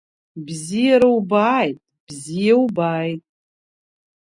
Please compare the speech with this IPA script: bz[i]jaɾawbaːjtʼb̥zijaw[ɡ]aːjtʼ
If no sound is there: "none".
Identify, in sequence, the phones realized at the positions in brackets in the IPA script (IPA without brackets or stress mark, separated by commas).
i, b